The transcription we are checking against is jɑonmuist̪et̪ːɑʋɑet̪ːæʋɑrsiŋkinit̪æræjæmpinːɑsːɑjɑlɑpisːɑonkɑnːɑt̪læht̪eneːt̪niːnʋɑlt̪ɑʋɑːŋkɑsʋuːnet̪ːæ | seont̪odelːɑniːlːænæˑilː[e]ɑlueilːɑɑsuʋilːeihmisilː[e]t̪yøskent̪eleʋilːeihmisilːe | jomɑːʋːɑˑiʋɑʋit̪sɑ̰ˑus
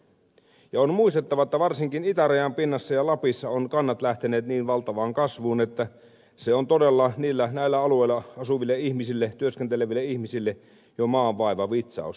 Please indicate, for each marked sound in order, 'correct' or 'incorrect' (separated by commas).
incorrect, correct